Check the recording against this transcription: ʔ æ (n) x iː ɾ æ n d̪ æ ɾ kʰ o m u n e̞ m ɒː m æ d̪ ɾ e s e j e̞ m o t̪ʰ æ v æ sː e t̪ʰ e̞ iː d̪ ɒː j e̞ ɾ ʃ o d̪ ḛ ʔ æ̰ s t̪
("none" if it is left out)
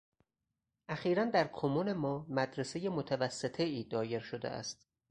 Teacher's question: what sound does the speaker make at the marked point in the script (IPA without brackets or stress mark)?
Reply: none